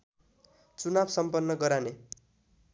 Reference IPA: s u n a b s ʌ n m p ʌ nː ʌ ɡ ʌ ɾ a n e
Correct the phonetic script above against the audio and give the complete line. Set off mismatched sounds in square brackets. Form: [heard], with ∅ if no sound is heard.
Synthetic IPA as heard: [t͡s] u n a b s ʌ [∅] m p ʌ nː ʌ ɡ ʌ ɾ a n e